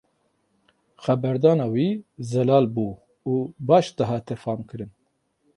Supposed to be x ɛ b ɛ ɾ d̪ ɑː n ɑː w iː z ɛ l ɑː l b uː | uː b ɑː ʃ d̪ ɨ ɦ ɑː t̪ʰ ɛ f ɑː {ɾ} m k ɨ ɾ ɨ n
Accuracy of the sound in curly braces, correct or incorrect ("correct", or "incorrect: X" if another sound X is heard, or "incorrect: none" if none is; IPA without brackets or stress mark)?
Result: incorrect: none